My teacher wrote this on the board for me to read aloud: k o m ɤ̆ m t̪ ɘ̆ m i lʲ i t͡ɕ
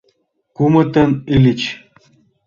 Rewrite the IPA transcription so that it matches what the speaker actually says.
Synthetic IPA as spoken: k u m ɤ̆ t̪ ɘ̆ n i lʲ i t͡ɕ